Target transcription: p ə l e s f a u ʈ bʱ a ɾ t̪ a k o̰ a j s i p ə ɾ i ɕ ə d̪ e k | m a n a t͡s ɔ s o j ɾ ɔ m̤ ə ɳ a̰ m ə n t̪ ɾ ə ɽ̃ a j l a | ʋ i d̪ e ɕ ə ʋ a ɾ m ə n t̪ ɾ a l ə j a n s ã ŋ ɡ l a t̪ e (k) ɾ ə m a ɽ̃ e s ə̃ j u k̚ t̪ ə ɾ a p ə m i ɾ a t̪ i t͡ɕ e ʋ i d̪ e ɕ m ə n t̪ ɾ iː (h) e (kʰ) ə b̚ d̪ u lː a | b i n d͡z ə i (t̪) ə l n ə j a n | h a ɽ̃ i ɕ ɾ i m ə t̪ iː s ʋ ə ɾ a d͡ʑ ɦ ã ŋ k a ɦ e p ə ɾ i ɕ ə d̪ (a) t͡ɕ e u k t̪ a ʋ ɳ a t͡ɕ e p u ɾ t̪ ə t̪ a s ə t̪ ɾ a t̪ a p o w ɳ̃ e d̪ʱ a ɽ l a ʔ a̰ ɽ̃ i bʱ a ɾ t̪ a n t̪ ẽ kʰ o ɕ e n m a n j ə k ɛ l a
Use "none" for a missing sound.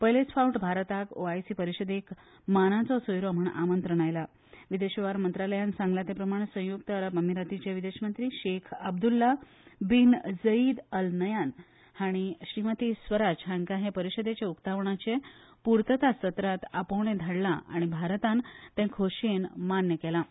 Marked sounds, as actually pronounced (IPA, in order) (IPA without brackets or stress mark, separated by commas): p, ɕ, kʰ, d̪, e